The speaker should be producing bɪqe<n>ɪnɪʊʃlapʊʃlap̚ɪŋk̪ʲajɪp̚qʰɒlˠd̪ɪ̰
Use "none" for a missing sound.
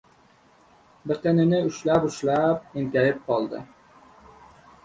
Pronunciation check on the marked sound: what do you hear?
n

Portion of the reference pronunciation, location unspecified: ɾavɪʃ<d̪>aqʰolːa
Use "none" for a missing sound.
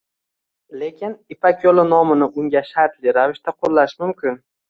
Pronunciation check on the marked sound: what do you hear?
t̪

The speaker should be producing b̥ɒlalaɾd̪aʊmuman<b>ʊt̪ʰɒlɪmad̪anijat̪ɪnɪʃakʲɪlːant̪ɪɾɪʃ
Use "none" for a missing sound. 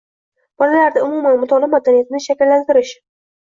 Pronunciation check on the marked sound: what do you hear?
m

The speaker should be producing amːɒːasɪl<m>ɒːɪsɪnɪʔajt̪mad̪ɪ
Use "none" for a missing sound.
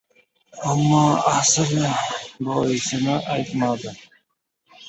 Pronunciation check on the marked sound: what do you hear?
b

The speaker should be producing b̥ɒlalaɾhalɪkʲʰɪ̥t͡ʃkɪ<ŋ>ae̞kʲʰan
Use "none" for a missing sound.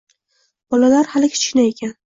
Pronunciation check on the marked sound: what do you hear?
n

